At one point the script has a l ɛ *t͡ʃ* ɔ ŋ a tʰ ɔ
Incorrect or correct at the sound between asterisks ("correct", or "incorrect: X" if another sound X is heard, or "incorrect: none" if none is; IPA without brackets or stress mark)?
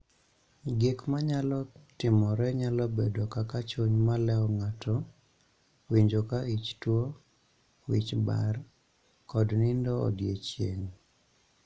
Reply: incorrect: none